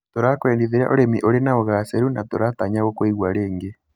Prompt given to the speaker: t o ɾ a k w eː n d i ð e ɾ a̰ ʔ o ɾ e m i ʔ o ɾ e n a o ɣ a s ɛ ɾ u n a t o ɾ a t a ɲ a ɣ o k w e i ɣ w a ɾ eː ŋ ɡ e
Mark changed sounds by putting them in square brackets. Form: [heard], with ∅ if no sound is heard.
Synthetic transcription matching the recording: t o ɾ a k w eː n d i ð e ɾ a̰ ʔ o ɾ e m i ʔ o ɾ e n a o ɣ a s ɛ ɾ u n a t o ɾ a t a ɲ a ɣ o k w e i ɣ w a ɾ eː ŋ ɡ e

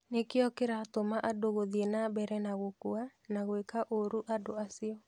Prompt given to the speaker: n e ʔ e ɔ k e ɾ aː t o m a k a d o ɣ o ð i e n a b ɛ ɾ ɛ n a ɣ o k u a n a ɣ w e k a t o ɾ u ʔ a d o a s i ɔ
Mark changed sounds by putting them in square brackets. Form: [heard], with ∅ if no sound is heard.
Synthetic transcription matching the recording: n e [k] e ɔ k e ɾ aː t o m a [ʔ] a d o ɣ o ð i e n a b ɛ ɾ ɛ n a ɣ o k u a n a ɣ w e k a [ʔ] o ɾ u ʔ a d o a s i ɔ

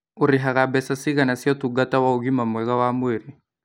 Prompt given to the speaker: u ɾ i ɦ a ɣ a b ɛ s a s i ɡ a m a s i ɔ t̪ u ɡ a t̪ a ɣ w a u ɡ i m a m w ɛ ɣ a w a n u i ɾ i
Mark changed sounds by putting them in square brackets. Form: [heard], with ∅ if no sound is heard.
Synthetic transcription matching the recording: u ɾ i ɦ a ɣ a b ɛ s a s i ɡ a [n] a s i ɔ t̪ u ɡ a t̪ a [∅] w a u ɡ i m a m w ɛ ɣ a w a [m] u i ɾ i

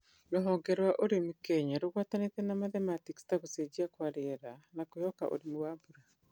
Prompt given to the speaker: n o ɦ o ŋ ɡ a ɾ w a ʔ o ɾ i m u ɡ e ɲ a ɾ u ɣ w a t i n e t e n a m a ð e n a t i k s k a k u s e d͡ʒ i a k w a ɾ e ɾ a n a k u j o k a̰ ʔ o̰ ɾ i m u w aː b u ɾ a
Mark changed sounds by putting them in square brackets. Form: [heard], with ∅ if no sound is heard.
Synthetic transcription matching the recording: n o ɦ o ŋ ɡ [e] ɾ w a ʔ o ɾ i m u [k] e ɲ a ɾ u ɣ w a t [a] n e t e n a m a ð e [m] a t i k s [t] a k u s e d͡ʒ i a k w a ɾ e ɾ a n a k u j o k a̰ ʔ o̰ ɾ i m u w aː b u ɾ a

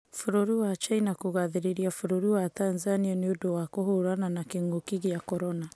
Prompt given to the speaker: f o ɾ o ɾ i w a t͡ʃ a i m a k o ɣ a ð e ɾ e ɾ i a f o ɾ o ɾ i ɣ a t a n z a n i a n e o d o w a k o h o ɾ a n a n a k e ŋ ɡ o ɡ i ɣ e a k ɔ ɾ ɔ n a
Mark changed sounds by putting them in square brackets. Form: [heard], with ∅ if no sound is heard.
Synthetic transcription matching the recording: f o ɾ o ɾ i w a t͡ʃ a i [n] a k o ɣ a ð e ɾ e ɾ i a f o ɾ o ɾ i [w] a t a n z a n i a n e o d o w a k o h o ɾ a n a n a k e ŋ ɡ o [k] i ɣ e a k ɔ ɾ ɔ n a

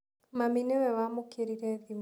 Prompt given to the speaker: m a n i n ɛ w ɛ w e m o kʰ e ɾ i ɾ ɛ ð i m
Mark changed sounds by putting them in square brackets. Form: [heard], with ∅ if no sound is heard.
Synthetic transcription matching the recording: m a [m] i n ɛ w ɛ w [a] m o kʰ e ɾ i ɾ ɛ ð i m

